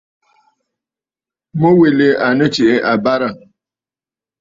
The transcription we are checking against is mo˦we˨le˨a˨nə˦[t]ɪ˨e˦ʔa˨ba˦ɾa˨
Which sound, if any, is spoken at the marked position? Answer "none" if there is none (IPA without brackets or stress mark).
t͡ʃ